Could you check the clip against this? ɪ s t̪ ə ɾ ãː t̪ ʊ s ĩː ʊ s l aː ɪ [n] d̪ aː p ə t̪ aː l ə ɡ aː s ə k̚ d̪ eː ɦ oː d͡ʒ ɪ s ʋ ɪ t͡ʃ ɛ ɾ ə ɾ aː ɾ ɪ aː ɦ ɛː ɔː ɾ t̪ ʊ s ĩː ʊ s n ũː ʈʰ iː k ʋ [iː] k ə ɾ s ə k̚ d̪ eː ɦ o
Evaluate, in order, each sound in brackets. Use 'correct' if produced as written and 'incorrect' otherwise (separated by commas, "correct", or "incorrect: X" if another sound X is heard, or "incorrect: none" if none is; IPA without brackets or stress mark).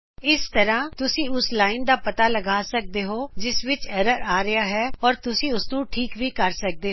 correct, correct